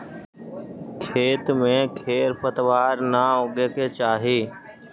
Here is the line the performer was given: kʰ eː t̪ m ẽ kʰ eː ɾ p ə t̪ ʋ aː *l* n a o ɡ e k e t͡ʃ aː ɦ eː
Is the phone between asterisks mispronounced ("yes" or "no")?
yes